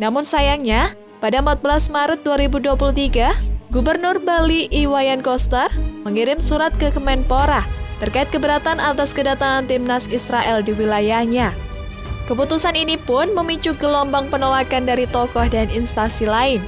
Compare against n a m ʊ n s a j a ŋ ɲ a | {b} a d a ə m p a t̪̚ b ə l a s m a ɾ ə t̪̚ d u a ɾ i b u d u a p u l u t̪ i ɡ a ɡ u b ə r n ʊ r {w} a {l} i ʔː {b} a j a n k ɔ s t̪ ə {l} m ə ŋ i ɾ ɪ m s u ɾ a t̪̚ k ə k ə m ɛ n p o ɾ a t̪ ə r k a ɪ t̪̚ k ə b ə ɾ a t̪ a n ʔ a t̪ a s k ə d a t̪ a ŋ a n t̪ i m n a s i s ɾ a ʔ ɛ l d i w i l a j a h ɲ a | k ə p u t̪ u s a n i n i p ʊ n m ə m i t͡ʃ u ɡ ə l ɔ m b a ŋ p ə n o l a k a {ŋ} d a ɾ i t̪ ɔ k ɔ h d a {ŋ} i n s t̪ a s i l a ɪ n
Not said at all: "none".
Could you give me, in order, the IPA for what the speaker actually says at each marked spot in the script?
p, b, l, w, r, n, n

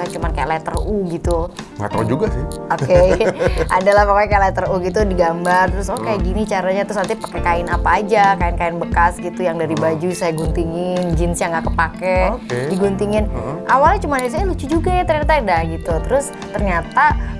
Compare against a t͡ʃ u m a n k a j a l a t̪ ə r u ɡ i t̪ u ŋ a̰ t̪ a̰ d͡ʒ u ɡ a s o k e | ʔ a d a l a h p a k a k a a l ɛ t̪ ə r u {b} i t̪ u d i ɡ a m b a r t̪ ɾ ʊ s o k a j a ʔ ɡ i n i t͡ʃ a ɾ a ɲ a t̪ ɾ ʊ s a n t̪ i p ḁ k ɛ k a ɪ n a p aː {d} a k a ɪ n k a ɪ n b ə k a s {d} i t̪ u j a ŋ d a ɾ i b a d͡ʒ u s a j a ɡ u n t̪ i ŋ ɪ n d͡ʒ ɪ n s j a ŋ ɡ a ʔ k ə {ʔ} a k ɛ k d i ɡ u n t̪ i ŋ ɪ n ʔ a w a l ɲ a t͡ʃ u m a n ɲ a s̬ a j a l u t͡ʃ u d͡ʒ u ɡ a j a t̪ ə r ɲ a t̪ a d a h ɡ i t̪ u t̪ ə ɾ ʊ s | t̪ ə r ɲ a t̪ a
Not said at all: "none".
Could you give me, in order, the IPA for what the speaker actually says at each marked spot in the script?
ɡ, d͡ʒ, ɡ, p

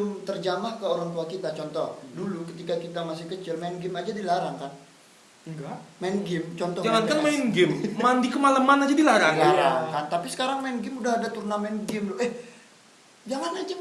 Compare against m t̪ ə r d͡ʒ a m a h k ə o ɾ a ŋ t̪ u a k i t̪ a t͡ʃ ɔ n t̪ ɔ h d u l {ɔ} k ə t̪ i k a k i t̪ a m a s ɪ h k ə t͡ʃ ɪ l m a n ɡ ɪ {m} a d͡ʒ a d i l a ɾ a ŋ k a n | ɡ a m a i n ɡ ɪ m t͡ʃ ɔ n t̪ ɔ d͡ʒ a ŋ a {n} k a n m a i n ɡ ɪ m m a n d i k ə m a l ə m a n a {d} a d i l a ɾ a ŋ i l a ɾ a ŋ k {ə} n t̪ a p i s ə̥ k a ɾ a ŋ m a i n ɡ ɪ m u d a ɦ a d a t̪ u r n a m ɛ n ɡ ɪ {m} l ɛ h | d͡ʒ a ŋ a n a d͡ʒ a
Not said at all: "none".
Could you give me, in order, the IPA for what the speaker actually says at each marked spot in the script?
u, m, n, d͡ʒ, a, m

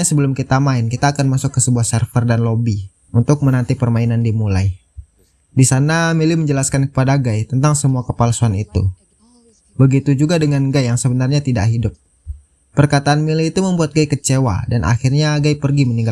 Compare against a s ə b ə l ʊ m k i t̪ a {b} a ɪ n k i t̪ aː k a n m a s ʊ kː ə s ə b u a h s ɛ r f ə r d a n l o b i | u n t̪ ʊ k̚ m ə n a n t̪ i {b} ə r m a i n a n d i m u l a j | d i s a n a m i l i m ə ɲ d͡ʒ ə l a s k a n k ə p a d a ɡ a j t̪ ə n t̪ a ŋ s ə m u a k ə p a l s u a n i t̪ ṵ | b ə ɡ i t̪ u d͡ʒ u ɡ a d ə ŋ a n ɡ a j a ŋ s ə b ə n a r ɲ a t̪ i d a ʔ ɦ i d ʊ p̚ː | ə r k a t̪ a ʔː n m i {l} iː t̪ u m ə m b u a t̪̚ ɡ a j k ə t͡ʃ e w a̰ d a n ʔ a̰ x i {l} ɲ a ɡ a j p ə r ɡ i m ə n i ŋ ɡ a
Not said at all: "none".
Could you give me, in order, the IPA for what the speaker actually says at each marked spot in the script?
m, p, l, r

